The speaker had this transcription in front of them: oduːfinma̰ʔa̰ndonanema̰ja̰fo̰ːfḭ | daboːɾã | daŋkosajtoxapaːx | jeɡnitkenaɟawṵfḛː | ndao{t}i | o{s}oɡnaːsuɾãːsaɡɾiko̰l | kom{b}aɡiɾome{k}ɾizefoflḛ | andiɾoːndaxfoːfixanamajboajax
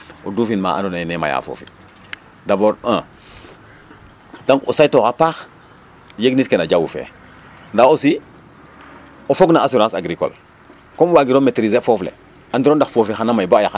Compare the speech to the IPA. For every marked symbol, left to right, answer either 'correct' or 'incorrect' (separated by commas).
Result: incorrect, incorrect, incorrect, incorrect